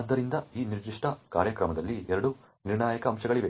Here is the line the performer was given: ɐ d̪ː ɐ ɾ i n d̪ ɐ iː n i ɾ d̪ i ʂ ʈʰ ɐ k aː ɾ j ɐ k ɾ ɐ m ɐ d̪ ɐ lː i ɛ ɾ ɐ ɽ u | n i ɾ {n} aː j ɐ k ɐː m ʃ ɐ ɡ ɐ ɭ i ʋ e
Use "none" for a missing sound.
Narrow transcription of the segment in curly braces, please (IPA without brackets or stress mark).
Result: ɳ